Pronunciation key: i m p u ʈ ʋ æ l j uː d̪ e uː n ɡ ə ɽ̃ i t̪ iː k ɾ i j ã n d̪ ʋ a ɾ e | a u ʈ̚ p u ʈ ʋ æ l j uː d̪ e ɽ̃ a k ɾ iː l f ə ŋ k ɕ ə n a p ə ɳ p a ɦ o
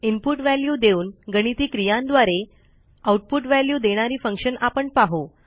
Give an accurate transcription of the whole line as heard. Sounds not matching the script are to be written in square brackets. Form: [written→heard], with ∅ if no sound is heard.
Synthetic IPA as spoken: i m p u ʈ ʋ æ l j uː d̪ e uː n ɡ ə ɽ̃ i t̪ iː k ɾ i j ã n d̪ ʋ a ɾ e | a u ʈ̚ p u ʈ ʋ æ l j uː d̪ e ɽ̃ a [k→∅] ɾ iː [l→∅] f ə ŋ k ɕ ə n a p ə ɳ p a ɦ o

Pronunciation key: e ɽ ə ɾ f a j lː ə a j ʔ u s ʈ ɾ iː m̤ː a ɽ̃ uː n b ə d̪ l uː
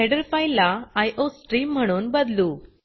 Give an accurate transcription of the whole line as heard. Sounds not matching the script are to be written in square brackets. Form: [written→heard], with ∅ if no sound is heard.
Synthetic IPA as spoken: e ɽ ə ɾ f a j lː [ə→a] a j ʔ [u→o] s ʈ ɾ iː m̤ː [a→ə] ɽ̃ uː n b ə d̪ l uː

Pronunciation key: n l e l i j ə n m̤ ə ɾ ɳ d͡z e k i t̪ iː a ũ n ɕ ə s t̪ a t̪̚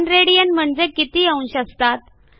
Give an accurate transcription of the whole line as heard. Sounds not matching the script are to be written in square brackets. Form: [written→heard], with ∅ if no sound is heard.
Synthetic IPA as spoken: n [l→ɾ] e [l→ɽ] i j ə n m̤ ə [ɾ→∅] ɳ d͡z e k i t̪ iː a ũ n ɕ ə s t̪ a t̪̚

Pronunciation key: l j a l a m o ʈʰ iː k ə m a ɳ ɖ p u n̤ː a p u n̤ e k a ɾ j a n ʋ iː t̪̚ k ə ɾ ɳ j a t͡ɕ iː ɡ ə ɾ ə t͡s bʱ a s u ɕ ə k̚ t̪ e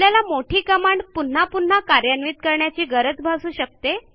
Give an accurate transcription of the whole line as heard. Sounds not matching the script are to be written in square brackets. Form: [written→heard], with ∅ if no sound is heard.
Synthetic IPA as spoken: l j a l a m o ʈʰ iː k ə m a ɳ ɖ p u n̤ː a p u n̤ [e→a] k a ɾ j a n ʋ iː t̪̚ k ə ɾ ɳ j a t͡ɕ iː ɡ ə ɾ ə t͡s bʱ a s [u→uː] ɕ ə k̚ t̪ e

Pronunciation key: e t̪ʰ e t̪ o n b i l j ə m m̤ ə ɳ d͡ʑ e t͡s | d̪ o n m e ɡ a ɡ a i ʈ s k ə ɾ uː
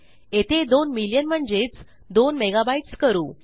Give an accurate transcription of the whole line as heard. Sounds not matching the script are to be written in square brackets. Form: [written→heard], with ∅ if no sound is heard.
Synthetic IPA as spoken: e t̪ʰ e [t̪→d̪] o n [b→m] i l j ə [m→n] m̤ ə ɳ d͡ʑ e t͡s | d̪ o n m e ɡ a [ɡ→b] a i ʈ s k ə ɾ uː

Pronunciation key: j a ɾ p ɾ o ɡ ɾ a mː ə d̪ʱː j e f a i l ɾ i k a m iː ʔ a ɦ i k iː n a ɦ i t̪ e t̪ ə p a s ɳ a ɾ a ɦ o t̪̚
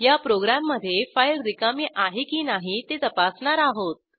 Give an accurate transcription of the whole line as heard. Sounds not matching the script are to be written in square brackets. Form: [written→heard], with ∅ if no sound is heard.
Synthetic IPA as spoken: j a [ɾ→∅] p ɾ o ɡ ɾ a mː ə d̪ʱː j e f a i l ɾ i k a m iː ʔ a ɦ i k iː n a ɦ i t̪ e t̪ ə p a s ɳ a ɾ a ɦ o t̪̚

